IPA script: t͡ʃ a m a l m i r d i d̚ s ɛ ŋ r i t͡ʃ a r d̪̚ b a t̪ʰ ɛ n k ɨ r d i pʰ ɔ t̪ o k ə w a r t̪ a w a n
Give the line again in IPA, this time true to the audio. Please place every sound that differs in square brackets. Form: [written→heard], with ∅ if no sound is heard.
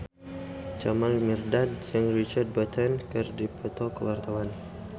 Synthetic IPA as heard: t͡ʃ a m a l m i r d [i→a] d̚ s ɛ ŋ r i t͡ʃ a r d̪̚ b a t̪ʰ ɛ n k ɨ r d i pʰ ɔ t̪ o k ə w a r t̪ a w a n